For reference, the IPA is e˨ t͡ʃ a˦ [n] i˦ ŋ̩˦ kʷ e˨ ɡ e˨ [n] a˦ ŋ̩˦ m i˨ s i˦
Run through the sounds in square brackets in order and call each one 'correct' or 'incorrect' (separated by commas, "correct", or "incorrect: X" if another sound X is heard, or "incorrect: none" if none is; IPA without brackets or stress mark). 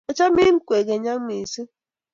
incorrect: m, incorrect: ɲ